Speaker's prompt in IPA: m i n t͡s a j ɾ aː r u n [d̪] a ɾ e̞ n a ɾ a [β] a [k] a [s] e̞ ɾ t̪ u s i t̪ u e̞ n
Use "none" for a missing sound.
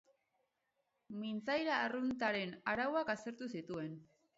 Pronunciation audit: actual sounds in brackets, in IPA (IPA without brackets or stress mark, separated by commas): t̪, w, k, s